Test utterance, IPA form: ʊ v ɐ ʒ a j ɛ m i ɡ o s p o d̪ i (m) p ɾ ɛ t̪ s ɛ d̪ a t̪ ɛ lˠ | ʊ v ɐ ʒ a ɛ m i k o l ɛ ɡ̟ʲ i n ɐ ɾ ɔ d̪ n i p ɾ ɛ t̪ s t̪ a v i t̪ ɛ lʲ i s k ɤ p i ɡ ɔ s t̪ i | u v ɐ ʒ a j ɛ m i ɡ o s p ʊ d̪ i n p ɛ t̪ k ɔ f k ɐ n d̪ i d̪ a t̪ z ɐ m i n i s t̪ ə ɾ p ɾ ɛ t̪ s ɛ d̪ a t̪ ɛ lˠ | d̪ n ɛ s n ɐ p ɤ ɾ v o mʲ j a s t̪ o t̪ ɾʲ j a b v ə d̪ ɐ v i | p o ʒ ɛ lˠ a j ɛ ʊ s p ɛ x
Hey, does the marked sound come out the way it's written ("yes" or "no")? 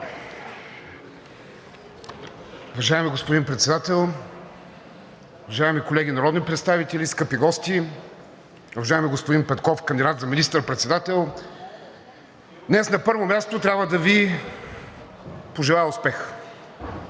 no